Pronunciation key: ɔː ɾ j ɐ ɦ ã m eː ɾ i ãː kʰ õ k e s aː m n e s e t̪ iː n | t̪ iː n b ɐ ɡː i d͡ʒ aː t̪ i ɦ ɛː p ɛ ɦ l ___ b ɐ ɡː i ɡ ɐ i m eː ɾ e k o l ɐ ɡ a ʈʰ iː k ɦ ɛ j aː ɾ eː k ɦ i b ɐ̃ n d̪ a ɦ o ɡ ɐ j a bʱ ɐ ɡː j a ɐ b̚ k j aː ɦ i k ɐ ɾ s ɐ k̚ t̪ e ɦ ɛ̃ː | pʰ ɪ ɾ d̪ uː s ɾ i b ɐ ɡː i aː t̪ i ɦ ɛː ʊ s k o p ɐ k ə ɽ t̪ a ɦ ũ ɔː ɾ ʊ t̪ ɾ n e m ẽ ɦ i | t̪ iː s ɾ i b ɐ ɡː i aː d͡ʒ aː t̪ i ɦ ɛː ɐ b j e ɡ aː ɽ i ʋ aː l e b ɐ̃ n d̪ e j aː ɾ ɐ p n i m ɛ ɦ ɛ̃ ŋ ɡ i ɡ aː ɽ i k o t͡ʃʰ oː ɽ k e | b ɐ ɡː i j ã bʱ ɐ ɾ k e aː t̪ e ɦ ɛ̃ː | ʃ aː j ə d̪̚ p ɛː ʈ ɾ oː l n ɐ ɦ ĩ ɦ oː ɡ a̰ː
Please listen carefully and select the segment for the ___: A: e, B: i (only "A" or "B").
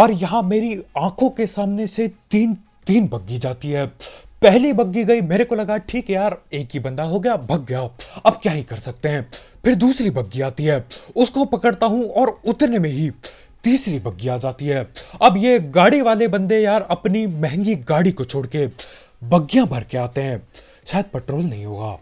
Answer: B